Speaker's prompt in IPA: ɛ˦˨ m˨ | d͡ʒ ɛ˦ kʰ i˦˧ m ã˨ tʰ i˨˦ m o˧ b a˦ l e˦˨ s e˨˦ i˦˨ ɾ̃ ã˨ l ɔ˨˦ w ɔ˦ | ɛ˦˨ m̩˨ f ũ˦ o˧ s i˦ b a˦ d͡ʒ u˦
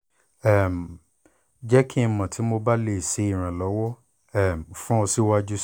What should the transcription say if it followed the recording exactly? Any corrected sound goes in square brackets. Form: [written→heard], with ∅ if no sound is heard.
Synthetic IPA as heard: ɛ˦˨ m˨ | d͡ʒ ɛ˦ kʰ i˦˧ m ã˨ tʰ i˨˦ m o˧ b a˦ l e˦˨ s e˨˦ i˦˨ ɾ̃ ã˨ l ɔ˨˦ w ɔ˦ | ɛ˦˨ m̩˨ f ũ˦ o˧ s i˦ [b→w] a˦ d͡ʒ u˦